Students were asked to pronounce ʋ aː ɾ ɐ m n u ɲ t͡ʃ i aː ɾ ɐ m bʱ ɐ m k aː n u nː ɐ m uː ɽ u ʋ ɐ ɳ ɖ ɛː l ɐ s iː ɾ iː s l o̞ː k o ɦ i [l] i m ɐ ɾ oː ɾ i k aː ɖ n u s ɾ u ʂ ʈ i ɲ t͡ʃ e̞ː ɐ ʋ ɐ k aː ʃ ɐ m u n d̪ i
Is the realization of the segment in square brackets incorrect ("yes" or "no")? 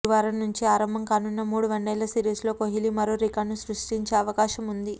no